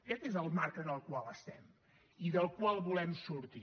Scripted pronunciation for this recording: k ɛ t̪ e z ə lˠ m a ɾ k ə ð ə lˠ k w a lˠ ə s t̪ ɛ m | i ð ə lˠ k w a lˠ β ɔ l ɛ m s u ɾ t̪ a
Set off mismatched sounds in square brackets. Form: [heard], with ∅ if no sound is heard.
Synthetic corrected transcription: k ɛ t̪ e z ə lˠ m a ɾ k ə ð ə lˠ k w a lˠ ə s t̪ ɛ m | i ð ə lˠ k w a lˠ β [u] l ɛ m s u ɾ t̪ [i]

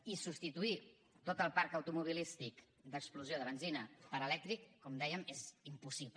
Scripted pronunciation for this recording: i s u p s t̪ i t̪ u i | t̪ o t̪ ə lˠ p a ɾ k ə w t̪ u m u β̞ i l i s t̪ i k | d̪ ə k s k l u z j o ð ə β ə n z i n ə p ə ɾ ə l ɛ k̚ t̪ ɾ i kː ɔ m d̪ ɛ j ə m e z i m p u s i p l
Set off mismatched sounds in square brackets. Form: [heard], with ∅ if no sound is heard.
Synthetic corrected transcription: i s u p s t̪ i t̪ u i | t̪ o t̪ ə lˠ p a ɾ k ə w t̪ u m u β̞ i l i s t̪ i k | d̪ ə k s [p] l u z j o ð ə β ə n z i n ə p ə ɾ ə l ɛ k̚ t̪ ɾ i kː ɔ m d̪ ɛ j ə m e z i m p u s i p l

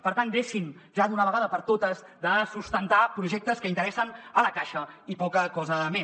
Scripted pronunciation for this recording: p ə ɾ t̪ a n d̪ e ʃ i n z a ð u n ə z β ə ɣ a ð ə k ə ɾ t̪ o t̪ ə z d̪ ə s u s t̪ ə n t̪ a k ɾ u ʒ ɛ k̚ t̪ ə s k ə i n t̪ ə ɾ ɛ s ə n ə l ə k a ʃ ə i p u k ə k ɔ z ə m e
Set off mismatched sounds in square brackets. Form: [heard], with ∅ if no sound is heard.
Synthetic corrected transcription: p ə ɾ t̪ a n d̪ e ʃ i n [ʒ] a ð u n ə [∅] β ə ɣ a ð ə [p] ə ɾ t̪ o t̪ ə z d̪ ə s u s t̪ ə n t̪ a [p] ɾ u ʒ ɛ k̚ t̪ ə s k ə i n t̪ ə ɾ ɛ s ə n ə l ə k a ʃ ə i p [ɔ] k ə k ɔ z ə m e

